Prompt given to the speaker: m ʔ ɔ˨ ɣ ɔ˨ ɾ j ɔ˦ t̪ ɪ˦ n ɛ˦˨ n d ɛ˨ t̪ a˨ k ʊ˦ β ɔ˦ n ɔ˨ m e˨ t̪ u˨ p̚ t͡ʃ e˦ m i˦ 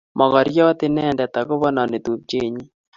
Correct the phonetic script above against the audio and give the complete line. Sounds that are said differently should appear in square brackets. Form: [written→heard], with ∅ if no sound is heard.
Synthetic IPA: m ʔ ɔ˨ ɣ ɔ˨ ɾ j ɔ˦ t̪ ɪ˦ n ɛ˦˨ n d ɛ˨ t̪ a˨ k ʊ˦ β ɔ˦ n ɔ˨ [m→n] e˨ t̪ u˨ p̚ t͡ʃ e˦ [m→ɲ] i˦

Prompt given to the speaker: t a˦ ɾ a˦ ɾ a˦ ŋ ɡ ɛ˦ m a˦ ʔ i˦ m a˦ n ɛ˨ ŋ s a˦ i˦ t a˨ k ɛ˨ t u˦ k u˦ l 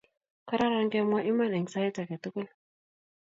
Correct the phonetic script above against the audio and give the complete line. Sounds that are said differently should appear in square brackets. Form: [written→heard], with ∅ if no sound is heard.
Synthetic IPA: [t→k] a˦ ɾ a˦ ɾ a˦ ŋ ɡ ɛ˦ m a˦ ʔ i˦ m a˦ n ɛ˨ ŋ s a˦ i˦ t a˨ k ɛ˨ t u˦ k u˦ l

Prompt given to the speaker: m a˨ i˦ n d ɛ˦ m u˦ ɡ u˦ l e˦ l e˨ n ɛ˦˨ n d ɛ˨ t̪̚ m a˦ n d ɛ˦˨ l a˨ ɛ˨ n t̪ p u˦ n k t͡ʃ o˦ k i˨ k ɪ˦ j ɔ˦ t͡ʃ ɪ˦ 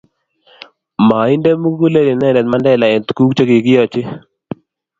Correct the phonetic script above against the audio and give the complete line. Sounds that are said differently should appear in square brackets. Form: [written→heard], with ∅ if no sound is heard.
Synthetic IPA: m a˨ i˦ n d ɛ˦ m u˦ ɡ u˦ l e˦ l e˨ n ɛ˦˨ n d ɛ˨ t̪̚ m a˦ n d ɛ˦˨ l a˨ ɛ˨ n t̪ [p→k] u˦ [n→∅] k t͡ʃ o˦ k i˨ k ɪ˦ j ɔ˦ t͡ʃ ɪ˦

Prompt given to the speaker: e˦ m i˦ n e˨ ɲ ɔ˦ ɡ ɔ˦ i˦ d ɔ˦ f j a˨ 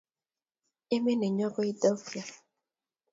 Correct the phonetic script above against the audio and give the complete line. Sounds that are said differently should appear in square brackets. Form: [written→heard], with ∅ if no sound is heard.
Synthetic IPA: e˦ m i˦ n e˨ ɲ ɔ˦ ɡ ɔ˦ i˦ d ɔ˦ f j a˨

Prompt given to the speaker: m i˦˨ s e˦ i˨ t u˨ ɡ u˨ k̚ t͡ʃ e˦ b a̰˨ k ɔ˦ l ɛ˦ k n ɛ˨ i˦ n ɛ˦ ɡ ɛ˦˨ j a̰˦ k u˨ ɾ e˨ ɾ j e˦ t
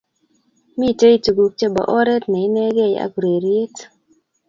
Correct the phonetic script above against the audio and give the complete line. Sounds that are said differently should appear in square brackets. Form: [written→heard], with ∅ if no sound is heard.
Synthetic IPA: m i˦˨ [s→t] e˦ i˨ t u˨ ɡ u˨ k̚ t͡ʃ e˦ b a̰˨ [k→ʔ] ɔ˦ [l→ɾ] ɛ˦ [k→t] n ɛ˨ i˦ n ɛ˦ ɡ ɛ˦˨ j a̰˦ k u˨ ɾ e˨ ɾ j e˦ t

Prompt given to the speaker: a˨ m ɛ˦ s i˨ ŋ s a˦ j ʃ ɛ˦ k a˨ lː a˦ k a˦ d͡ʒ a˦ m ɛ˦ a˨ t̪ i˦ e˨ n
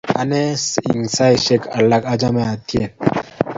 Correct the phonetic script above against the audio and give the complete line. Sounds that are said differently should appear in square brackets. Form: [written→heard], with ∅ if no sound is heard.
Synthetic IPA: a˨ [m→n] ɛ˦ s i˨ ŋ s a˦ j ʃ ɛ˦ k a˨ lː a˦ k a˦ d͡ʒ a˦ m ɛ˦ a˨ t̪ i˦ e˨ n

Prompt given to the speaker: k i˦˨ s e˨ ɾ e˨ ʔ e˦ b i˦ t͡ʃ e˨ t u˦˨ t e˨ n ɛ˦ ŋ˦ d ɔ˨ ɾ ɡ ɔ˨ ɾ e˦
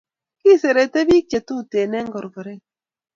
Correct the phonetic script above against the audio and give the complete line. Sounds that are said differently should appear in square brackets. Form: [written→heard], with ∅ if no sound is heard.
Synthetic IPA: k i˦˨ s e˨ ɾ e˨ [ʔ→t] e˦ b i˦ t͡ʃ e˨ t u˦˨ t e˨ n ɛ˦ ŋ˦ [d→ɡ] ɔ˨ ɾ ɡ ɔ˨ ɾ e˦

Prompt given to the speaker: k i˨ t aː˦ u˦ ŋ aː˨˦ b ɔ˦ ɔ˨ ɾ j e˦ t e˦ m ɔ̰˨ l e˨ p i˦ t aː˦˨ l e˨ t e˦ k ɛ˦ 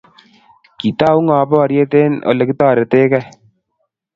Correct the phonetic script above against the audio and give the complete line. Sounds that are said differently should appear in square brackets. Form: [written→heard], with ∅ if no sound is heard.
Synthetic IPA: k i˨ t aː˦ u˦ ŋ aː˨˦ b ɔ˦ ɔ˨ ɾ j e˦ t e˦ [m→n] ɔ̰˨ l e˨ [p→k] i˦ t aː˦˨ [l→ɾ] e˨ t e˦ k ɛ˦

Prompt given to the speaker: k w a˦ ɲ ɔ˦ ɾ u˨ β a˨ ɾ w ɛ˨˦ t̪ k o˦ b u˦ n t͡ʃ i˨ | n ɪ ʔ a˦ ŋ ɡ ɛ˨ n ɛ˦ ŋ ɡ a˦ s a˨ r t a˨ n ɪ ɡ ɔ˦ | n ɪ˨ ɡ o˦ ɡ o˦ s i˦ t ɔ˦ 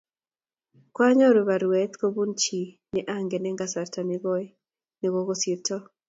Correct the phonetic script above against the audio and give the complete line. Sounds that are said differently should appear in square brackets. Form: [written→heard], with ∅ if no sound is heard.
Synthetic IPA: k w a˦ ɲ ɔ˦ ɾ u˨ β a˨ ɾ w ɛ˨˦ t̪ k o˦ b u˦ n t͡ʃ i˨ | n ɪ ʔ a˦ ŋ ɡ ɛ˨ n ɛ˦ ŋ ɡ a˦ s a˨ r t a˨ n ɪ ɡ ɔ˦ | n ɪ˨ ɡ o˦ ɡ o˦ s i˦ t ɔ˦

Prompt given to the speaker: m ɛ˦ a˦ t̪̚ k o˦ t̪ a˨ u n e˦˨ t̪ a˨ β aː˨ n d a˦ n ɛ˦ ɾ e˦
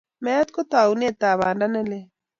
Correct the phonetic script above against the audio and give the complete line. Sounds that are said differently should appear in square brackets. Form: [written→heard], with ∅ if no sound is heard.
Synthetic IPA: m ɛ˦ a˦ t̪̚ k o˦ t̪ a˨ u n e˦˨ t̪ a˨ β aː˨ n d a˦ n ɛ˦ [ɾ→l] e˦

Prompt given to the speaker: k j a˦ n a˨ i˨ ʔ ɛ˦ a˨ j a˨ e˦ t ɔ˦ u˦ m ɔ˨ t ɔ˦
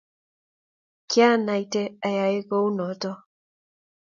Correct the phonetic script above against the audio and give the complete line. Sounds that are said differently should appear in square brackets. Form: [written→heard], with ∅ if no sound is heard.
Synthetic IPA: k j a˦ n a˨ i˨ [ʔ→t] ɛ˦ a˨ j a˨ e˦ [t→k] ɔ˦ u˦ [m→n] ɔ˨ t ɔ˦

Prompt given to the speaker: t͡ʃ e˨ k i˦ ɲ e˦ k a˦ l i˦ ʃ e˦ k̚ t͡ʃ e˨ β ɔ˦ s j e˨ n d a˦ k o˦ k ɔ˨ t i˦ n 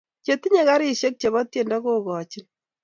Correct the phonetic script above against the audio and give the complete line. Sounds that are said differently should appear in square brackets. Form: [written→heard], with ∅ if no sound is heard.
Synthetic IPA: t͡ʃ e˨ [k→t] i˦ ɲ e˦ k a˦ [l→ɾ] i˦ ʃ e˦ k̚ t͡ʃ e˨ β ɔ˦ [s→t] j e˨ n d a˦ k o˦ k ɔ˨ [t→t͡ʃ] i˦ n

